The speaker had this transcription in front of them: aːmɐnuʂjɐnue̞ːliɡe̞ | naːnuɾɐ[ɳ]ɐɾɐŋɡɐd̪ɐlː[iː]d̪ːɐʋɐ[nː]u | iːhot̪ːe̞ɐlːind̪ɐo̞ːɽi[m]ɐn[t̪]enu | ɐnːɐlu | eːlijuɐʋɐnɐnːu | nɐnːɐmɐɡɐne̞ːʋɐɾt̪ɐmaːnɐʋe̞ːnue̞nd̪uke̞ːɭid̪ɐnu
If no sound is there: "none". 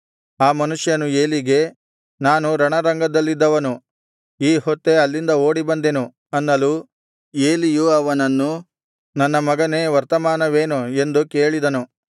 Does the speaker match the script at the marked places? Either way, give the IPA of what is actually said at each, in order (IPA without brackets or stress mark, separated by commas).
ɳ, i, n, b, d̪